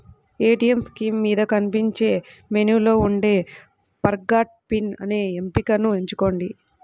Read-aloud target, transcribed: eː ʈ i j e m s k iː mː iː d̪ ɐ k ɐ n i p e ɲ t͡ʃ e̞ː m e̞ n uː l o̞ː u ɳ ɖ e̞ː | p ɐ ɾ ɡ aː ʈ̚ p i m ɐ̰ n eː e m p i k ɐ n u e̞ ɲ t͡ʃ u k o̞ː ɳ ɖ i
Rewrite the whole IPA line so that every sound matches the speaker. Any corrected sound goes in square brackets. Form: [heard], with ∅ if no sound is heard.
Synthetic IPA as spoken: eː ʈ i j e m s k iː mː iː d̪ ɐ k ɐ n i p [i] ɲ t͡ʃ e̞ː m e̞ n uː l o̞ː u ɳ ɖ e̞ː | p ɐ ɾ ɡ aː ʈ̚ p i [n] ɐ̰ n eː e m p i k ɐ n u e̞ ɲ t͡ʃ u k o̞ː ɳ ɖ i

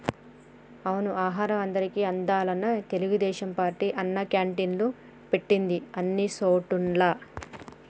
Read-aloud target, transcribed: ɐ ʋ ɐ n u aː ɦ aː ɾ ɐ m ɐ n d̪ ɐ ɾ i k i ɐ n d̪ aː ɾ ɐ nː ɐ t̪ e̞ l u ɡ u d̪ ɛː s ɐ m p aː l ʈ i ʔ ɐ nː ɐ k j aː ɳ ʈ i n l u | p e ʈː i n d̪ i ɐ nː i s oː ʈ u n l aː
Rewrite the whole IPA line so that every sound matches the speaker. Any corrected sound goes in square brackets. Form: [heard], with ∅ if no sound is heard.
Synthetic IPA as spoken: ɐ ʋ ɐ n u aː ɦ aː ɾ ɐ m ɐ n d̪ ɐ ɾ i k i ɐ n d̪ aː [l] ɐ nː ɐ t̪ e̞ l u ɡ u d̪ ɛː [ʃ] ɐ m p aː [ɾ] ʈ i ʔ ɐ nː ɐ k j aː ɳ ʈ i n l u | p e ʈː i n d̪ i ɐ nː i s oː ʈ u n l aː

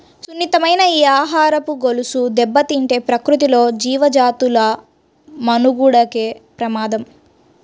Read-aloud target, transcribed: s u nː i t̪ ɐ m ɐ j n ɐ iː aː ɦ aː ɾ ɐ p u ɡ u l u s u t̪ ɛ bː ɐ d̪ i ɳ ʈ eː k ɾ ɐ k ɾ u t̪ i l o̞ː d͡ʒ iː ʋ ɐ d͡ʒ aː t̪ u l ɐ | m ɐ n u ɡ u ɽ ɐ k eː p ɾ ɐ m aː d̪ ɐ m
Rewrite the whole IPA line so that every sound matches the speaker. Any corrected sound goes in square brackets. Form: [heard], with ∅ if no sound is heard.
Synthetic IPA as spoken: s u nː i t̪ ɐ m ɐ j n ɐ iː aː ɦ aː ɾ ɐ p u ɡ [o] l u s u [d̪] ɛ bː ɐ [t̪] i ɳ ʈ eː [p] ɾ ɐ k ɾ u t̪ i l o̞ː d͡ʒ iː ʋ ɐ d͡ʒ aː t̪ u l ɐ | m ɐ n u ɡ u ɽ ɐ k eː p ɾ ɐ m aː d̪ ɐ m

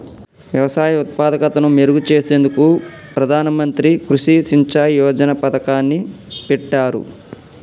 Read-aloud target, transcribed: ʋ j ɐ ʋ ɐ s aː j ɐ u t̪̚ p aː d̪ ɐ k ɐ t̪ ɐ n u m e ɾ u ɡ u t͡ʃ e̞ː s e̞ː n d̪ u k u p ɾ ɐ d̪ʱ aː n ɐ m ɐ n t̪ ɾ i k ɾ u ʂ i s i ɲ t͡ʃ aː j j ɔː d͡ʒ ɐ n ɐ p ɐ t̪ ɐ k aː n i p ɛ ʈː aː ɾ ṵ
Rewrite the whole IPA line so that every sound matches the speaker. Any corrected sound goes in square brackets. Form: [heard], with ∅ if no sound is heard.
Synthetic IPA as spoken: ʋ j ɐ ʋ ɐ s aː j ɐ u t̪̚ p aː d̪ ɐ k ɐ t̪ ɐ n u m e ɾ u ɡ u t͡ʃ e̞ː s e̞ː n d̪ u k u p ɾ ɐ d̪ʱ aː n ɐ m ɐ n t̪ ɾ i k ɾ u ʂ i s i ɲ t͡ʃ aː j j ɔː d͡ʒ ɐ n ɐ p ɐ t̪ ɐ k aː [nː] i p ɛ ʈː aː ɾ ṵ

